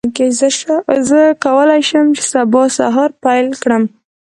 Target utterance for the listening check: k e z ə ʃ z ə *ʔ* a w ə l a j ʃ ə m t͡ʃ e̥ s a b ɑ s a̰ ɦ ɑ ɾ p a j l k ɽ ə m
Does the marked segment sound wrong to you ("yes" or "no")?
yes